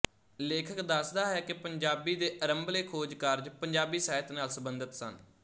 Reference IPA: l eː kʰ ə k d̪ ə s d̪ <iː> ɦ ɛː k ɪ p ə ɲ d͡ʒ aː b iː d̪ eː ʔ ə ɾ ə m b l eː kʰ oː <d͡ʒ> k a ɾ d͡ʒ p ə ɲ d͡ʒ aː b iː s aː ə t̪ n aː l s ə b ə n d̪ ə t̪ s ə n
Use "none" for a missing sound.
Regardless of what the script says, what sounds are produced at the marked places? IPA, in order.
aː, d͡ʒ

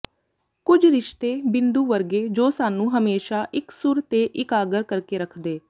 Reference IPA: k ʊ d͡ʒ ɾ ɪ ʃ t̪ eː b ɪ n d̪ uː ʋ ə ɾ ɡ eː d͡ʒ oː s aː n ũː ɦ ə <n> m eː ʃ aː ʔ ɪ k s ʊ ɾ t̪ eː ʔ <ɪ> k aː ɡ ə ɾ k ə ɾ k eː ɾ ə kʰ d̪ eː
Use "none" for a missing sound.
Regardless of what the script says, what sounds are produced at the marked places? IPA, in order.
none, ɪ

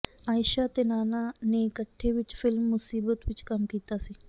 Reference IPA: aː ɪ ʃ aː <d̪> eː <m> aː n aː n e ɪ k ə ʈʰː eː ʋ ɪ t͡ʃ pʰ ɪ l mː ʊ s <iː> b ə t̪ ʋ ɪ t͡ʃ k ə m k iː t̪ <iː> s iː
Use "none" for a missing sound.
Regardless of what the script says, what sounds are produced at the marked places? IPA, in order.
t̪, n, iː, aː

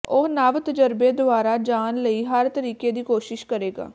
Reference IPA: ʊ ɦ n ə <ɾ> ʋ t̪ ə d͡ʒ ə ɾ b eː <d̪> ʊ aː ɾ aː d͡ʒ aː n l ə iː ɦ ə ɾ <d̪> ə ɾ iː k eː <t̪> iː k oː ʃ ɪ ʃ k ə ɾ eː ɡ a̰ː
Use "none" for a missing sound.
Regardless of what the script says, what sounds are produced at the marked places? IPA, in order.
none, d̪, t̪, d̪

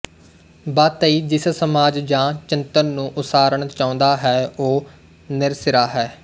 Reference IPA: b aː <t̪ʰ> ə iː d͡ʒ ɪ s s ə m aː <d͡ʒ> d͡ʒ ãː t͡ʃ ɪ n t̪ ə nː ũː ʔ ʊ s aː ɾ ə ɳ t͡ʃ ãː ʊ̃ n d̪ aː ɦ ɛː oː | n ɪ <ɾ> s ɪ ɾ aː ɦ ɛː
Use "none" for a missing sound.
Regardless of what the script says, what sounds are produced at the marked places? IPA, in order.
t̪, d͡ʒ, ɾ

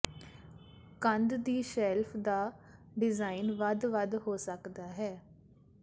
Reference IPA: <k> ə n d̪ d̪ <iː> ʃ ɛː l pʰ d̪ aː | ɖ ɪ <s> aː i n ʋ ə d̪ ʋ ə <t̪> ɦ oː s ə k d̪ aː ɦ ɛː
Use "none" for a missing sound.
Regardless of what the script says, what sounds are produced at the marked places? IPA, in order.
k, iː, z, d̪

